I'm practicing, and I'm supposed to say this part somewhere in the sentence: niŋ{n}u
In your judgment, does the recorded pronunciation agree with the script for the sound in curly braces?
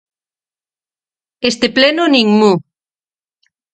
no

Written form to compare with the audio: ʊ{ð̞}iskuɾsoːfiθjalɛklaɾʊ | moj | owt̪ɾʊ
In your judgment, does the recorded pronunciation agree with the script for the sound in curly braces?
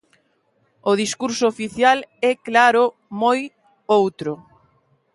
yes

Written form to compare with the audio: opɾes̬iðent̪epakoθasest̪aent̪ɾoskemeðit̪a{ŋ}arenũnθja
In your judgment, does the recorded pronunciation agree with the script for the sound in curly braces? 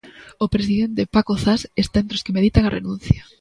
yes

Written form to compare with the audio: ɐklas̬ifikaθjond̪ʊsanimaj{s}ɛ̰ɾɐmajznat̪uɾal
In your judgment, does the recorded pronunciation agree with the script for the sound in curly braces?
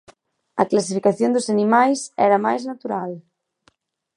yes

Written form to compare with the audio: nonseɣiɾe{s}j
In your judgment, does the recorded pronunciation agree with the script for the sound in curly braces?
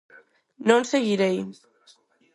no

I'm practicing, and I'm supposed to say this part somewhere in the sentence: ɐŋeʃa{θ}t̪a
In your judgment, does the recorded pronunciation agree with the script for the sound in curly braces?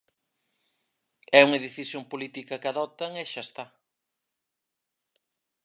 no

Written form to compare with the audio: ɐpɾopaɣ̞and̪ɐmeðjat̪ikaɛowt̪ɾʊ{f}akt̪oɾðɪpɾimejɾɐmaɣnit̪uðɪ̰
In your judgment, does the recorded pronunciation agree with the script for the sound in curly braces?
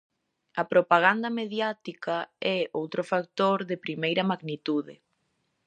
yes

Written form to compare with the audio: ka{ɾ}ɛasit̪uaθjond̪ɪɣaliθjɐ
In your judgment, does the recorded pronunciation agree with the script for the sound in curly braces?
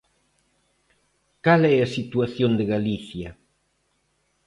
no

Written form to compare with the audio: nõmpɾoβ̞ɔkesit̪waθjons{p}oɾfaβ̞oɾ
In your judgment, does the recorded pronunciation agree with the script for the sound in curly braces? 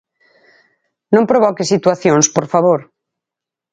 yes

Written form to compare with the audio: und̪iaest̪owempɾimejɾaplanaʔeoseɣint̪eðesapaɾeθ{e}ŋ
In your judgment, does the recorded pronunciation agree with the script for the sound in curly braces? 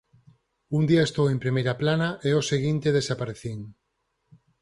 no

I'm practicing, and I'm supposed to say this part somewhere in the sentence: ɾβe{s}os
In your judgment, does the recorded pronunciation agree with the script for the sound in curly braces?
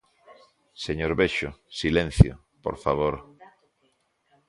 no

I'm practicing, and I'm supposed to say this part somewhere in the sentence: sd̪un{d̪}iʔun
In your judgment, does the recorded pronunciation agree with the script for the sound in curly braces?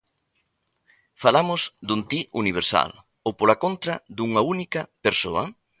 no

